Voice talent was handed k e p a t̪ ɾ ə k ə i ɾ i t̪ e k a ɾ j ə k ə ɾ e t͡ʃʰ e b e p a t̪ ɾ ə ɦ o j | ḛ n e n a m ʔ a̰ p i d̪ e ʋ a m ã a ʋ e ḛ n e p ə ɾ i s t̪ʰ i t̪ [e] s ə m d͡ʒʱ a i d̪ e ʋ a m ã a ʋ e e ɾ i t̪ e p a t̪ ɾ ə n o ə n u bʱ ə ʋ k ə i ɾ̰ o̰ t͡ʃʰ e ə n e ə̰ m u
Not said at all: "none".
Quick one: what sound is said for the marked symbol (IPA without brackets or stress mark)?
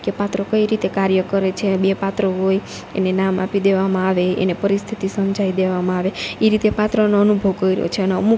i